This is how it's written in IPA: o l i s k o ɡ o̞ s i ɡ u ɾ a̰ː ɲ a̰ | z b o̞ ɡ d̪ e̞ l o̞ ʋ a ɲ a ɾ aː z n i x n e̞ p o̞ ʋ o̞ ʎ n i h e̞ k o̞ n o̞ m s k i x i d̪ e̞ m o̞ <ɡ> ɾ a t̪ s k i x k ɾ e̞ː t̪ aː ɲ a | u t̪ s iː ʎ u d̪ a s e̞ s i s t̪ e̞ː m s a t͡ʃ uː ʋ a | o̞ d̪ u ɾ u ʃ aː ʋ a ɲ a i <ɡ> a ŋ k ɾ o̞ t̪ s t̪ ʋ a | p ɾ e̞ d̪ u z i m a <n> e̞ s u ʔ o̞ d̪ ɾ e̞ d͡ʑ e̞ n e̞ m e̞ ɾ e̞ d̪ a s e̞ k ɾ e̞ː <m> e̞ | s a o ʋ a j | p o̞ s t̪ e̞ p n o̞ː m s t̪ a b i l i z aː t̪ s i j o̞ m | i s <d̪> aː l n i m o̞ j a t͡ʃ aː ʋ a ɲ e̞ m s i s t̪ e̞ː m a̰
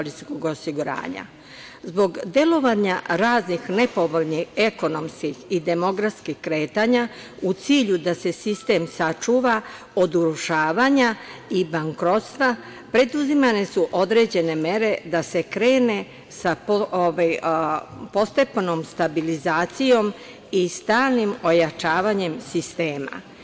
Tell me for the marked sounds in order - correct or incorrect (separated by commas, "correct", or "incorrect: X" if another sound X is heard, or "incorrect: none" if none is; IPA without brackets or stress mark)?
correct, incorrect: b, correct, incorrect: n, incorrect: t̪